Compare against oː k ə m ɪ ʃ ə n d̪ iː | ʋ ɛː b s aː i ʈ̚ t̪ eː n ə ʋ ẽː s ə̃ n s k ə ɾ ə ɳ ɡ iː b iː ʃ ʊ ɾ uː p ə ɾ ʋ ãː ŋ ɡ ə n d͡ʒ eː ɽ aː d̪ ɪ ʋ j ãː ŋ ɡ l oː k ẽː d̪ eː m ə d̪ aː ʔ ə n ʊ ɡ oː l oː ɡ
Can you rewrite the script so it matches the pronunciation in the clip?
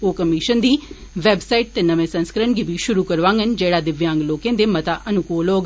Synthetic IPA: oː k ə m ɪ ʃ ə n d̪ iː | ʋ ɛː b s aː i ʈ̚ t̪ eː n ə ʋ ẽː s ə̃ n s k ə ɾ ə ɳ ɡ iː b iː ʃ ʊ ɾ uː k ə ɾ ʋ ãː ŋ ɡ ə n d͡ʒ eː ɽ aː d̪ ɪ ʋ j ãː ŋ ɡ l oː k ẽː d̪ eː m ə t̪ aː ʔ ə n ʊ k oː l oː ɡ